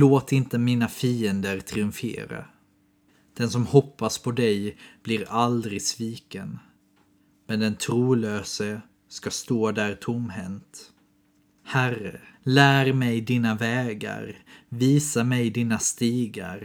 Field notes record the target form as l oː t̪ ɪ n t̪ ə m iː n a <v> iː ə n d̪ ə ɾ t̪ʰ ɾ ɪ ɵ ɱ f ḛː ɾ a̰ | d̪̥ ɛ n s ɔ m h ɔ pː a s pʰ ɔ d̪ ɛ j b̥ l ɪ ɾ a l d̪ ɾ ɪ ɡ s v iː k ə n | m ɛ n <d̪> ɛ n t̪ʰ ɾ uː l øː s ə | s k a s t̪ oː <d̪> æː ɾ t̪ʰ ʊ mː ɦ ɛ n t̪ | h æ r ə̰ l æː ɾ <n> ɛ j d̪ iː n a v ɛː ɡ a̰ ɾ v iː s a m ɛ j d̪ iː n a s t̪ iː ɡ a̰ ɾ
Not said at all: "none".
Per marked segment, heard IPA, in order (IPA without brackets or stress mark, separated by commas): f, d̪, d̪, m